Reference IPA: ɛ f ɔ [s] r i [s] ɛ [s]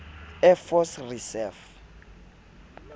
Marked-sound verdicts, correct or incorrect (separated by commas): correct, correct, incorrect